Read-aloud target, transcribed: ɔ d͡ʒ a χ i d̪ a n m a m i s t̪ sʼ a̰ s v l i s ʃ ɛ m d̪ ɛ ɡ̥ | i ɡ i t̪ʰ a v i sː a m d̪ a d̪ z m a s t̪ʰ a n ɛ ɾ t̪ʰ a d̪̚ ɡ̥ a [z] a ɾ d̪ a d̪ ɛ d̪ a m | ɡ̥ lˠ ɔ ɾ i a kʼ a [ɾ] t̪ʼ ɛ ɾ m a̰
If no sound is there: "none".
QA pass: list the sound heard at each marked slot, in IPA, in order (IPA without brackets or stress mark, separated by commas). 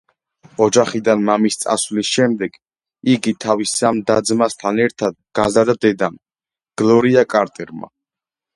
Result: z, ɾ